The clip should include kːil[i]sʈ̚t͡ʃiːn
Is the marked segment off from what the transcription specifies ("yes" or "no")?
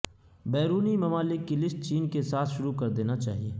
yes